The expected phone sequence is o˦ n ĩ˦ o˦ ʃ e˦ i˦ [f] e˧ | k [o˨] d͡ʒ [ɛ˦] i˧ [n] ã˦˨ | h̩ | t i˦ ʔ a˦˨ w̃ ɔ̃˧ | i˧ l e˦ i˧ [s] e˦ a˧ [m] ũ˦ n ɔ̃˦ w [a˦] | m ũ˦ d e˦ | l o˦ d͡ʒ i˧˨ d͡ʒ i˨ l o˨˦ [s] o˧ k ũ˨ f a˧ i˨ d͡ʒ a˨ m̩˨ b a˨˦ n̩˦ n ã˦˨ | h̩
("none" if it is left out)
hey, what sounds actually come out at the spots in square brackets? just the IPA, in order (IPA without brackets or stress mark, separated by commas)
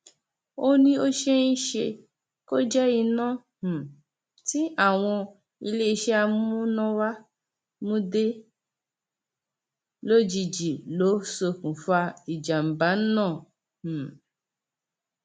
ʃ, o˦, ɛ˦, n, ʃ, m, a˦, s